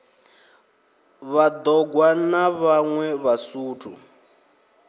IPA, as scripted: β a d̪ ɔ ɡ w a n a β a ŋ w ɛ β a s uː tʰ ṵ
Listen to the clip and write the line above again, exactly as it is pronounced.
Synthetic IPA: β a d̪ ɔ ɡ w a n a β a ŋ w ɛ β a s uː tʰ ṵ

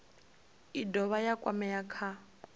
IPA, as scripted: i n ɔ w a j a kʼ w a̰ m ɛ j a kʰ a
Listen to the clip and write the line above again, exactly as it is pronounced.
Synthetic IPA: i d ɔ β a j a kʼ w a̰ m ɛ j a kʰ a

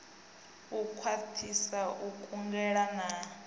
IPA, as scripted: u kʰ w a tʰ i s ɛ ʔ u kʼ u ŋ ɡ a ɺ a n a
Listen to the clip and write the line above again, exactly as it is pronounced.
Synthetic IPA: u kʰ w a tʰ i s a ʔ u kʼ u ŋ ɡ ɛ ɺ a n a

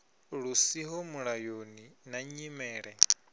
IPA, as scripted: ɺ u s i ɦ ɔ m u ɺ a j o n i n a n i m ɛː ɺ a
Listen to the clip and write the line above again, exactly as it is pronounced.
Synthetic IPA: ɺ u s i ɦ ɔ m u ɺ a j o n i n a ɲ i m ɛː ɺ ɛ

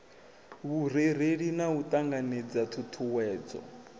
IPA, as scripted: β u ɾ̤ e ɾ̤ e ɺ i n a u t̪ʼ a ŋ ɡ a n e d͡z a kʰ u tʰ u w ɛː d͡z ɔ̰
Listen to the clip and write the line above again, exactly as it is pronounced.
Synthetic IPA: β u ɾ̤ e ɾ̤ e ɺ i n a u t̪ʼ a ŋ ɡ a n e d͡z a tʰ u tʰ u w ɛː d͡z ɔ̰

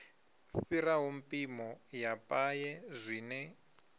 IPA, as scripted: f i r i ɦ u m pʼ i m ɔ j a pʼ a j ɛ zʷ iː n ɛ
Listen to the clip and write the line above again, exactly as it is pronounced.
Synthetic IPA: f i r a ɦ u m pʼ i m ɔ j a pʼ a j ɛ zʷ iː n ɛ

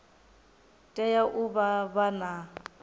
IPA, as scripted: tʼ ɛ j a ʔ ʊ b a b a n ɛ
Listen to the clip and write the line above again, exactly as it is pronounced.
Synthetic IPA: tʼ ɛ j a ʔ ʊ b a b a n a

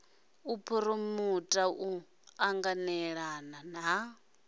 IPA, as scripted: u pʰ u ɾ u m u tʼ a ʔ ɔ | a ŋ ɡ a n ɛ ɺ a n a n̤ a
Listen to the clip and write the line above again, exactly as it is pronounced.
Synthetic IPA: u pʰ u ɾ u m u tʼ a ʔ u | a ŋ ɡ a n ɛ ɺ a n a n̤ a

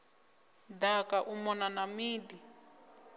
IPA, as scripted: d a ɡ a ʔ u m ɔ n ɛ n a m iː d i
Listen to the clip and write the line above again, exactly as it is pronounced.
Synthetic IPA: d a k a ʔ u m ɔ n a n a m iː d i

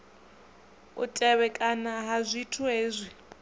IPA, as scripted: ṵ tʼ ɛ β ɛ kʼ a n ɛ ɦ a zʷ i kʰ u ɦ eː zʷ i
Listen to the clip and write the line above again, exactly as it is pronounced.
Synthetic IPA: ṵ tʼ ɛ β ɛ kʼ a n a ɦ a zʷ i tʰ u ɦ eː zʷ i

